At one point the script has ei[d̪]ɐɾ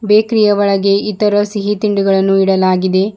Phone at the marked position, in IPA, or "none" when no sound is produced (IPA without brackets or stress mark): t̪